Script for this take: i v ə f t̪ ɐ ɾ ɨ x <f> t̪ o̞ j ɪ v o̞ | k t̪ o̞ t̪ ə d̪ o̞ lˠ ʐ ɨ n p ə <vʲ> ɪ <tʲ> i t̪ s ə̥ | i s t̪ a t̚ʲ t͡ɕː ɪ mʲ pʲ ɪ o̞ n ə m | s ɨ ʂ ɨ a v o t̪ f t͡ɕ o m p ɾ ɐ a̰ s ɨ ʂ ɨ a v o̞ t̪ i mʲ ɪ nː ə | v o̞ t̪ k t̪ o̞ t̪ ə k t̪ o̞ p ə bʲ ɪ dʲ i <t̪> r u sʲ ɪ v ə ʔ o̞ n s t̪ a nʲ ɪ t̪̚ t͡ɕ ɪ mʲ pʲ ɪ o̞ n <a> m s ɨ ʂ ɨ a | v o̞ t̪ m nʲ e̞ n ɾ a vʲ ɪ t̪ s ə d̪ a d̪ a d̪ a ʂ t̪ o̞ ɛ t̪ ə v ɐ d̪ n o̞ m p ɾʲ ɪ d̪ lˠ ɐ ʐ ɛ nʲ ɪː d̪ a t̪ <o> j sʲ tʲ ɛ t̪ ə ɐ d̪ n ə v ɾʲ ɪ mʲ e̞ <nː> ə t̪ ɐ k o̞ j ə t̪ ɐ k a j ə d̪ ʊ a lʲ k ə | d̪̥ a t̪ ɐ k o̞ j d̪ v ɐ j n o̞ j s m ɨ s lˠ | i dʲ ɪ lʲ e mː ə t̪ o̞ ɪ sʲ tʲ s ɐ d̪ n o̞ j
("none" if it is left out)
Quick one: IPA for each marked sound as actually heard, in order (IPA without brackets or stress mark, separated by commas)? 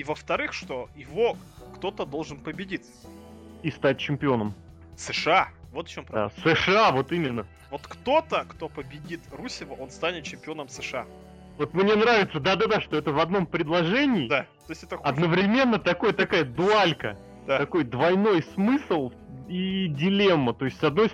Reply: ʂ, bʲ, dʲ, t̪, ə, o, nː